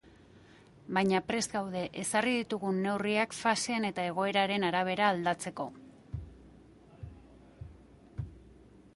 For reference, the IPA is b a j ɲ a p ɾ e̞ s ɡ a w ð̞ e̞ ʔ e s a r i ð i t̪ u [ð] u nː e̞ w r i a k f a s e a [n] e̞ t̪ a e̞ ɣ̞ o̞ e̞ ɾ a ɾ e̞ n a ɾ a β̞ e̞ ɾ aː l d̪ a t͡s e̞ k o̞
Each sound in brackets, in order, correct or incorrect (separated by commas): incorrect, correct